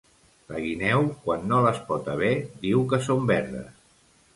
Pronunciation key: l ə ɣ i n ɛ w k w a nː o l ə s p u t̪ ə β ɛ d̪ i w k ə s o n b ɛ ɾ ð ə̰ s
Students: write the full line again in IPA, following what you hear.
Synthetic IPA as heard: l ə ɣ i n ɛ w k w a nː o l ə s p ɔ t̪ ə β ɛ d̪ i w k ə s o m b ɛ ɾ ð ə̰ s

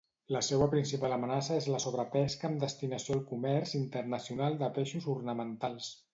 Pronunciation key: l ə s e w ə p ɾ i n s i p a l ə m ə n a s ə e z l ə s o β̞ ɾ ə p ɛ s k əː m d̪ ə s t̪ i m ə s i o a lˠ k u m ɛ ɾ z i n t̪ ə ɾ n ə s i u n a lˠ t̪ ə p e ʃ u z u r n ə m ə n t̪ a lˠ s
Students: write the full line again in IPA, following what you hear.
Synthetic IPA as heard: l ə s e w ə p ɾ i n s i p a l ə m ə n a s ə e z l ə s o β̞ ɾ ə p ɛ s k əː m d̪ ə s t̪ i n ə s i o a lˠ k u m ɛ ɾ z i n t̪ ə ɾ n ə s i u n a lˠ d̪ ə p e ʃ u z u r n ə m ə n t̪ a lˠ s

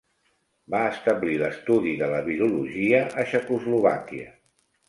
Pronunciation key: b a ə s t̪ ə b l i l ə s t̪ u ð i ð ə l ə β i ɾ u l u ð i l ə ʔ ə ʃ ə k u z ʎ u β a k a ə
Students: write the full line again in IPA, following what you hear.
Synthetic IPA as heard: b a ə s t̪ ə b l i l ə s t̪ u ð i ð ə l ə β i ɾ u l u ʒ i ə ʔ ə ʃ ə k u z l u β a k i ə

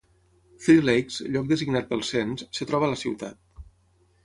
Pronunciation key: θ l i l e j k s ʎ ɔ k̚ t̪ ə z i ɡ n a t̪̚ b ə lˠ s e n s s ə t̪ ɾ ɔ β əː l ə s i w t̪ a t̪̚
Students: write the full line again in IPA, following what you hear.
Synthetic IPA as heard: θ ɾ i l e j k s ʎ ɔ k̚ d̪ ə z i ɡ n a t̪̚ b ə lˠ s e n s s ə t̪ ɾ ɔ β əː l ə s i w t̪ a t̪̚

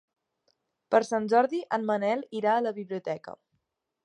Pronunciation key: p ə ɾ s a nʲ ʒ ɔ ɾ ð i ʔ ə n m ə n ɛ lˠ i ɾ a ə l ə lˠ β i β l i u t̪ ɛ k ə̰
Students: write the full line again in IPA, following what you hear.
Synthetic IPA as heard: p ə ɾ s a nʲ ʒ ɔ ɾ ð i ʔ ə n m ə n ɛ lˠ i ɾ a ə l ə β i β l i u t̪ ɛ k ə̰

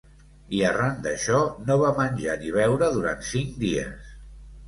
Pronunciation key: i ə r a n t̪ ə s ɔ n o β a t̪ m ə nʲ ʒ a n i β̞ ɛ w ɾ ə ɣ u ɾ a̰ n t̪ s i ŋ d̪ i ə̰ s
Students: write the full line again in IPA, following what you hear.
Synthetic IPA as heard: i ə r a n d̪ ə ʃ ɔ n o β a m ə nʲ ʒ a n i β̞ ɛ w ɾ ə ð u ɾ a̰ n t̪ s i ŋ d̪ i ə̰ s

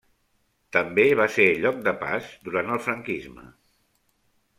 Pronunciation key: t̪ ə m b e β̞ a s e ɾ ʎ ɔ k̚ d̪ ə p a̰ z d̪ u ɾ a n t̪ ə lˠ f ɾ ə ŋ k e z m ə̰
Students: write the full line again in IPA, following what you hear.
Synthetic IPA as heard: t̪ ə m b e β̞ a s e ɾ ʎ ɔ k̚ d̪ ə p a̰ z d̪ u ɾ a n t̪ ə lˠ f ɾ ə ŋ k i z m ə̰

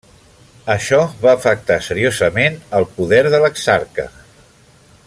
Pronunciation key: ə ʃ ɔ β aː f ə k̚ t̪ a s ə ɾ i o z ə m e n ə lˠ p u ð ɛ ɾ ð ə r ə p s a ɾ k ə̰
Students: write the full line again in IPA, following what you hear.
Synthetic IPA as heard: ə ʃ ɔ β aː f ə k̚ t̪ a s ə ɾ i o z ə m e n ə lˠ p u ð ɛ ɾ ð ə l ə k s a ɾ k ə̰

